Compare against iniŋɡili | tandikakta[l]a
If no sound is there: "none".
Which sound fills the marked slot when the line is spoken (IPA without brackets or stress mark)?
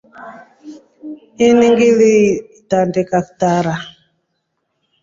ɾ